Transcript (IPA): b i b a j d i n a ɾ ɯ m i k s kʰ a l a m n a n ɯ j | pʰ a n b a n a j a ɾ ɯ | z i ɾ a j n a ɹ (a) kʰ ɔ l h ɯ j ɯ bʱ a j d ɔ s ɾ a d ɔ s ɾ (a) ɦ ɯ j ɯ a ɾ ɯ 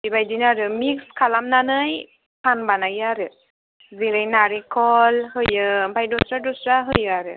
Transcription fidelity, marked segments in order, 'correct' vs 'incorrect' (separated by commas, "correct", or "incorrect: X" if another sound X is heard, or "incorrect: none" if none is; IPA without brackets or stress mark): incorrect: i, correct